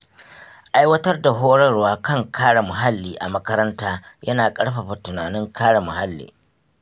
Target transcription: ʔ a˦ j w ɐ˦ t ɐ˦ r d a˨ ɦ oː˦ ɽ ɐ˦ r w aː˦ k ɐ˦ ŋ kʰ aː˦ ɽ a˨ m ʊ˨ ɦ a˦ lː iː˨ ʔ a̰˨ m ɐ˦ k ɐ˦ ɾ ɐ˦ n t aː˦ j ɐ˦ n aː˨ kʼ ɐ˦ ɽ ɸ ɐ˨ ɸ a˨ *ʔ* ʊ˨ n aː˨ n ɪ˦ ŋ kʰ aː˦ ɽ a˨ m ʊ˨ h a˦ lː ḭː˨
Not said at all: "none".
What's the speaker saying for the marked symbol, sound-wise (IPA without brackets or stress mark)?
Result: t